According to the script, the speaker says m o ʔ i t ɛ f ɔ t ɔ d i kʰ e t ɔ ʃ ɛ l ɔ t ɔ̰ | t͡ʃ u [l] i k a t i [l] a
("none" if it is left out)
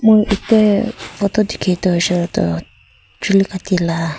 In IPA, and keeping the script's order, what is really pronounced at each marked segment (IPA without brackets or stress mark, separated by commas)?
l, l